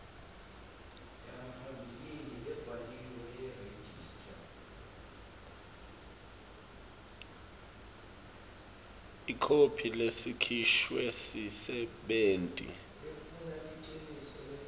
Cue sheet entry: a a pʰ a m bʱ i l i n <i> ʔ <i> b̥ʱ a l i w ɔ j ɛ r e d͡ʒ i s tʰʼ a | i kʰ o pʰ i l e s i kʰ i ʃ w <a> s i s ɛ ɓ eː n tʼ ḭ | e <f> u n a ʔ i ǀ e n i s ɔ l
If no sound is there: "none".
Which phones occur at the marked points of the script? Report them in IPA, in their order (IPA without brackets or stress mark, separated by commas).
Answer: i, ɛ, e, f